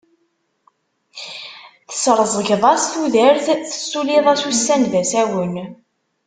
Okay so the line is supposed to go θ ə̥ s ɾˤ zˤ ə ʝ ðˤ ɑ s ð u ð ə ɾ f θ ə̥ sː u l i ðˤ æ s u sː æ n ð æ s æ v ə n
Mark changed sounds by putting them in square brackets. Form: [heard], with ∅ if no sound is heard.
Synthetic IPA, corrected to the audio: θ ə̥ s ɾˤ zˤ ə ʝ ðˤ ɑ s [θ] u ð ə ɾ [θ] θ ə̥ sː u l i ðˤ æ s u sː æ n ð æ s æ [w] ə n